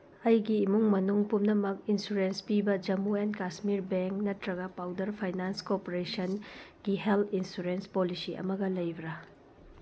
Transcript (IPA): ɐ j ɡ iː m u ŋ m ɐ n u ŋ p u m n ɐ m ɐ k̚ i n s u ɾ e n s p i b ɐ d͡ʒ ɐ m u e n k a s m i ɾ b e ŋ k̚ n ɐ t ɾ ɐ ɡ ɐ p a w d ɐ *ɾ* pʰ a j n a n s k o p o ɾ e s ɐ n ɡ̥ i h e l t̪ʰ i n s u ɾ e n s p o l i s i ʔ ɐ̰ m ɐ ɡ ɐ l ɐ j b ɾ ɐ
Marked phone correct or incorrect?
correct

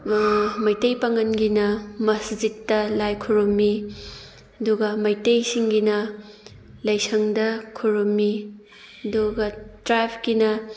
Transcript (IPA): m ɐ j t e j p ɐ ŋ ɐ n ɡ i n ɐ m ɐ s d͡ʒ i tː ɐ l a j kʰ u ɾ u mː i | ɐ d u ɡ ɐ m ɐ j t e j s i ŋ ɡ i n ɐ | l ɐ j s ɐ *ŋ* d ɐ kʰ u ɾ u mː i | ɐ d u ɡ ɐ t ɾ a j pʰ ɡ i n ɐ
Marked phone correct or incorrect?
correct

